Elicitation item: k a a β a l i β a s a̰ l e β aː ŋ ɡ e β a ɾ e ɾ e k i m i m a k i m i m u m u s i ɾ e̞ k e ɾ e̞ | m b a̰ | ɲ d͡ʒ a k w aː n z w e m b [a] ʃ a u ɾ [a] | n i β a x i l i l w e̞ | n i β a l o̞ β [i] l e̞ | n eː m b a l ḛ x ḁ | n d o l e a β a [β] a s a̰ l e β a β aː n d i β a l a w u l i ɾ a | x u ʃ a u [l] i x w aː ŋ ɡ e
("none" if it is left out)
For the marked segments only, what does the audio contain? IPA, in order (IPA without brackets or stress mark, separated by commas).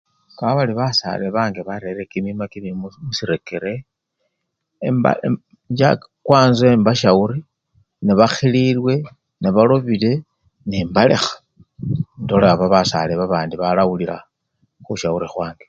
a, i, i, β, ɾ